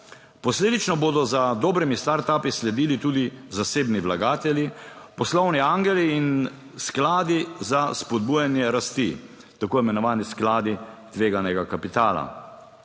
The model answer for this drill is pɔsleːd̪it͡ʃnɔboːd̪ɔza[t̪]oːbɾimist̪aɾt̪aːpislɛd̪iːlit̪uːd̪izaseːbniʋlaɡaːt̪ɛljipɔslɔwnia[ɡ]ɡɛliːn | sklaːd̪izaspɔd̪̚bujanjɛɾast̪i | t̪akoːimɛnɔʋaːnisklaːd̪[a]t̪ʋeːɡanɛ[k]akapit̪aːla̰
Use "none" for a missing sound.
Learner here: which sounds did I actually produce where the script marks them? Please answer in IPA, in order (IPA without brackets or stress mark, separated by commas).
d̪, ŋ, i, ɡ